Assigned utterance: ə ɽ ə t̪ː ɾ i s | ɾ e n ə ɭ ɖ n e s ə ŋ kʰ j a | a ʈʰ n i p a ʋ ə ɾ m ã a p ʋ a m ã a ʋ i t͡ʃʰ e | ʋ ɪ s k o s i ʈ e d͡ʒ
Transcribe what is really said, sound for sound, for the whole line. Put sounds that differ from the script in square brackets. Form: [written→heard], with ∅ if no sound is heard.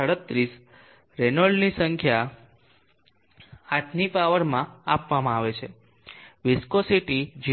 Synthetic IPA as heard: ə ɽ ə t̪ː ɾ i s | ɾ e n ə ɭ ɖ n [e→i] s ə ŋ kʰ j a | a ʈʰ n i p a ʋ ə ɾ m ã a p ʋ a m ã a ʋ [i→e] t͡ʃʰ e | ʋ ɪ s k o s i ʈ [e→i] d͡ʒ